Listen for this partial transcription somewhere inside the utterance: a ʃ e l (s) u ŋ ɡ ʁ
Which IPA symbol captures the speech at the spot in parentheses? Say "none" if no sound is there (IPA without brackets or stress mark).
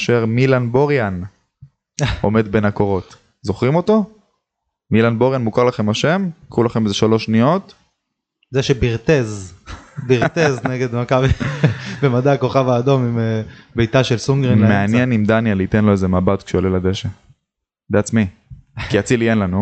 s